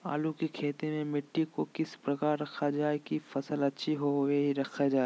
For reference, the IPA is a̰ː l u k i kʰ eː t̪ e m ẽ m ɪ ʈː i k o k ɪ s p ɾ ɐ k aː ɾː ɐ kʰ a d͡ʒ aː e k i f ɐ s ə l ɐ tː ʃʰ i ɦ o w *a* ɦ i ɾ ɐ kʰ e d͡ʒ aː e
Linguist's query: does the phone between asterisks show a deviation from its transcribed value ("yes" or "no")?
yes